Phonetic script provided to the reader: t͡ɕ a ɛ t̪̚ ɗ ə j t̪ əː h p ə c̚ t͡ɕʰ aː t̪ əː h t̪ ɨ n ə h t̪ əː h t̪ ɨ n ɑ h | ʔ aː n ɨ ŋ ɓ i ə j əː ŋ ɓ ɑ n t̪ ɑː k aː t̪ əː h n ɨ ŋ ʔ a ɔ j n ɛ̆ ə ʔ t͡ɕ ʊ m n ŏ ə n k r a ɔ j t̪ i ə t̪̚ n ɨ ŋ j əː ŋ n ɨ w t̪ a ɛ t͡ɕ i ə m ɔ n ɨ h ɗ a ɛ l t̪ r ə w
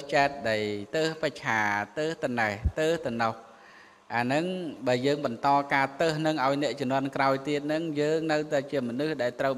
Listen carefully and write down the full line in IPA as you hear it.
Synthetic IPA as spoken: t͡ɕ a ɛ t̪̚ ɗ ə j t̪ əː h p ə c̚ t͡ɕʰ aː t̪ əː h t̪ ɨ n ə h t̪ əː h t̪ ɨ n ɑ h | ʔ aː n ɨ ŋ ɓ a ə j əː ŋ ɓ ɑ n t̪ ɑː k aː t̪ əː h n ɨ ŋ ʔ a ɔ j n ɛ̆ ə ʔ t͡ɕ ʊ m n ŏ ə n k r a ɔ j t̪ i ə t̪̚ n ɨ ŋ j əː ŋ n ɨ w t̪ a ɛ t͡ɕ i ə m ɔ n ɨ h ɗ a ɛ l t̪ r ə w